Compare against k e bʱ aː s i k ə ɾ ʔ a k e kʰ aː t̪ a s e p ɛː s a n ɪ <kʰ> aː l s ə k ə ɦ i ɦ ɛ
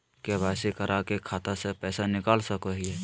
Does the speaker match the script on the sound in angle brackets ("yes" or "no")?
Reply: no